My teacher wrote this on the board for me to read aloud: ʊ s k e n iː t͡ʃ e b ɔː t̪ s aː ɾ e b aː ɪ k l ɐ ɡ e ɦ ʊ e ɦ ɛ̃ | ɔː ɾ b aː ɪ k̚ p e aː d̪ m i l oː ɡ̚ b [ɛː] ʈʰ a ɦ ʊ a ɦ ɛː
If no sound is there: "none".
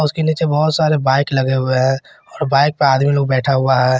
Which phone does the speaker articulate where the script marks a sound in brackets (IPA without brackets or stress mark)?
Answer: ɛː